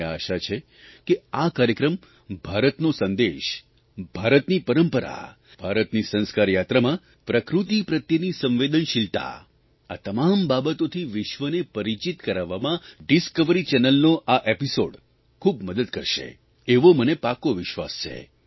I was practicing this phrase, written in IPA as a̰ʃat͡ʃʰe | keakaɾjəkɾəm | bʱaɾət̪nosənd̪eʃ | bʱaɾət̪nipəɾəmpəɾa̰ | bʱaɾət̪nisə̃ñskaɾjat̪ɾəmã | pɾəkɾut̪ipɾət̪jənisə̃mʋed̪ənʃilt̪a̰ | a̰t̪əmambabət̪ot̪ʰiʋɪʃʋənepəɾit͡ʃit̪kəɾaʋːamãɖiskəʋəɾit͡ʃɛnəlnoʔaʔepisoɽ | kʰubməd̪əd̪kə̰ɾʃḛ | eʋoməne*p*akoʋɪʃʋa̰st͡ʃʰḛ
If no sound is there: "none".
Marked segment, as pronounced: p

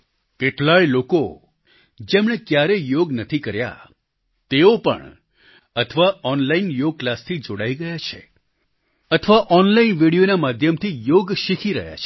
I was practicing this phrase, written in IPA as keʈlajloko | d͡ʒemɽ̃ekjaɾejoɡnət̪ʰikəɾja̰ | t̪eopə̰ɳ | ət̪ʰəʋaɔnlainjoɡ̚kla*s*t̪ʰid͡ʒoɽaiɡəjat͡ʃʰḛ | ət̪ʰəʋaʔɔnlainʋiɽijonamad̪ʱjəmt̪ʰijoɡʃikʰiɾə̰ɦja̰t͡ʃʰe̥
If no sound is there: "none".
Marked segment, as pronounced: s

